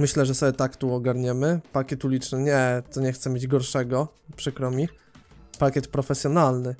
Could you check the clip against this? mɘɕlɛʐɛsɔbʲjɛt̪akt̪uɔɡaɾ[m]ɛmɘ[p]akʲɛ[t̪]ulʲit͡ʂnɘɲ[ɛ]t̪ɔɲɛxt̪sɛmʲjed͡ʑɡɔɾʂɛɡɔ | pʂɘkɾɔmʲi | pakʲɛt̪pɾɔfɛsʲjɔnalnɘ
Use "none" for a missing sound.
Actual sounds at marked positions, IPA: ɲ, p, t̪, ɛ

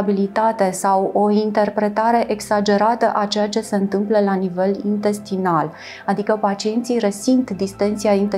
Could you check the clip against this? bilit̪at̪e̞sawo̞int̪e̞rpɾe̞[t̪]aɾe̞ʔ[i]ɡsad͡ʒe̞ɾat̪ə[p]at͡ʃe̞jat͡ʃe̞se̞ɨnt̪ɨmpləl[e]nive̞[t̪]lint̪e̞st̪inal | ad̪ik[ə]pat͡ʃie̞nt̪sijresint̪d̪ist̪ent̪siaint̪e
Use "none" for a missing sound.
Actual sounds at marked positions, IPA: t̪, e, ʔ, a, none, ə

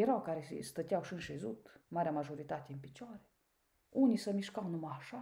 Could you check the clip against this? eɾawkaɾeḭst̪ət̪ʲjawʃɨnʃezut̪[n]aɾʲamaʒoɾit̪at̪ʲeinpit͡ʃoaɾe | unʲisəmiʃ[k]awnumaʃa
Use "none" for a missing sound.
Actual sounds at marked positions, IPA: m, k

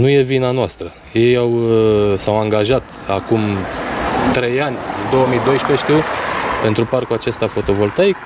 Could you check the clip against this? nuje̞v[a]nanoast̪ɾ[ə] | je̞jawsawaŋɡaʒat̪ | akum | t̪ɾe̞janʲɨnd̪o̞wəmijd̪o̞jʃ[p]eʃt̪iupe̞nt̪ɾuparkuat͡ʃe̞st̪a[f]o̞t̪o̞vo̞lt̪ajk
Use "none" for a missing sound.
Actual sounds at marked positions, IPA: i, ə, p, f

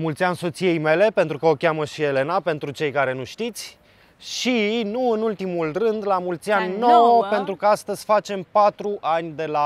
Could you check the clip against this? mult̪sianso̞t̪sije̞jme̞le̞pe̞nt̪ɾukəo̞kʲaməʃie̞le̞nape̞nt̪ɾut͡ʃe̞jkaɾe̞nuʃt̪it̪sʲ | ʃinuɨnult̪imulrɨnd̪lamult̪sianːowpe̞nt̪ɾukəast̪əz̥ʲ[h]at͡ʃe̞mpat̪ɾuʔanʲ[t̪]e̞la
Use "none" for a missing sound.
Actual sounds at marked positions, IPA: f, d̪

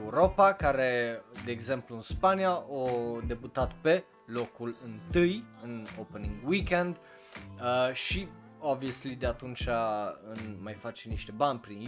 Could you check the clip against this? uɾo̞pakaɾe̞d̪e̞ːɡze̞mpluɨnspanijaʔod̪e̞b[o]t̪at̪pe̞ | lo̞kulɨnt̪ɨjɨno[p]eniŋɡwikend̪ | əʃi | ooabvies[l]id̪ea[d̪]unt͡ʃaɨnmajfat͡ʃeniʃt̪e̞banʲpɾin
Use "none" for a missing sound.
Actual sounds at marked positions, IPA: u, p, l, t̪

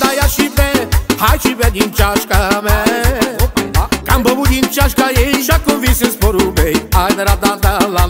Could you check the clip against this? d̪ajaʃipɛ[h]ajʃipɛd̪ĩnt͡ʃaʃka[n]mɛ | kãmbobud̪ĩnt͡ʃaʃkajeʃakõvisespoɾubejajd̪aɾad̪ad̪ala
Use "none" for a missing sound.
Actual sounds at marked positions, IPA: h, none

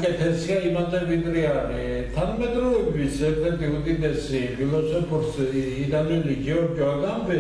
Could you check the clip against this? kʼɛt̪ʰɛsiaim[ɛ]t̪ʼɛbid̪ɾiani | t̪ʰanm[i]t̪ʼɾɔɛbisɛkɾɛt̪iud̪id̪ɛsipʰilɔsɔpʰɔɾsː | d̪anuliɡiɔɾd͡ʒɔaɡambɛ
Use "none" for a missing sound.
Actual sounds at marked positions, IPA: a, ɛ

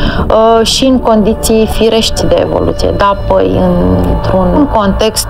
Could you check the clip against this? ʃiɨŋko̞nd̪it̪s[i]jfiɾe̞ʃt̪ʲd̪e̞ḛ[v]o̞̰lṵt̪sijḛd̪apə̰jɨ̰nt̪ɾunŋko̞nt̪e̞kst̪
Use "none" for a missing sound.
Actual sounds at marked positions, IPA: i, v

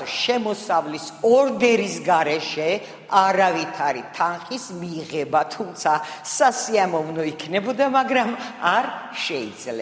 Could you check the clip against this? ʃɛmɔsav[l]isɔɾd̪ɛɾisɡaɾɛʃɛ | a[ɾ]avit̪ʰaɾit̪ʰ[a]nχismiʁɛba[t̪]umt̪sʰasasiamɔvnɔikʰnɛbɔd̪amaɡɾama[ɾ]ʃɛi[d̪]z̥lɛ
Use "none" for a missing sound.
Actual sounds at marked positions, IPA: l, ɾ, a, t̪ʰ, ɾ, d̪

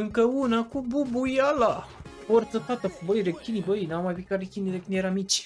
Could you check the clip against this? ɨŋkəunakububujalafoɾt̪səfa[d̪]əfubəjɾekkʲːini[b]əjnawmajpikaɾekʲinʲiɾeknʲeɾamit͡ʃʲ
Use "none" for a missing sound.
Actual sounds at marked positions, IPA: t̪, b

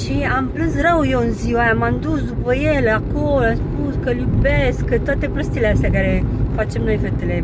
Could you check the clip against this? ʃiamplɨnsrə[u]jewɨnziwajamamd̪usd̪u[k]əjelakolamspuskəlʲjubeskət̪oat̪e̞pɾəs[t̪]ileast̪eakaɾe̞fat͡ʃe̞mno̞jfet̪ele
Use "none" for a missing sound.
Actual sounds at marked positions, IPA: w, p, t̪

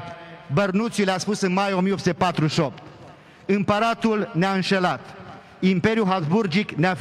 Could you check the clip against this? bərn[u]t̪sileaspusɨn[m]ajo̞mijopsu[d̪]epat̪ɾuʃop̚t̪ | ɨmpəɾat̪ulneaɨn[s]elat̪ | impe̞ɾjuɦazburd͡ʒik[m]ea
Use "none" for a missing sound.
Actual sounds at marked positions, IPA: u, m, t̪, ʃ, n

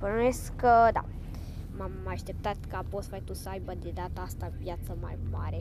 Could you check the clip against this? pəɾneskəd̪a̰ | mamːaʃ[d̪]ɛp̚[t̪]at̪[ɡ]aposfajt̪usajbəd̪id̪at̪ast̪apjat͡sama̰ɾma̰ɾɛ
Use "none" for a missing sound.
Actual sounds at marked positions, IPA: t̪, t̪, k

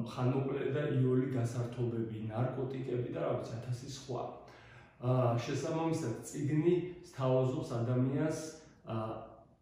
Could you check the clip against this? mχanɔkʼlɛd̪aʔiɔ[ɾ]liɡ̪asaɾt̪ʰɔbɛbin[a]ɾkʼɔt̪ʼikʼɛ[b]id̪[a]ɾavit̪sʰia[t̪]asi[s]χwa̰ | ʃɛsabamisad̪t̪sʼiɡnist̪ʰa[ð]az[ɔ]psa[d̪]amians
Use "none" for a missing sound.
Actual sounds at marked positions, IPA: none, a, b, a, t̪ʰ, s, v, ɔ, d̪

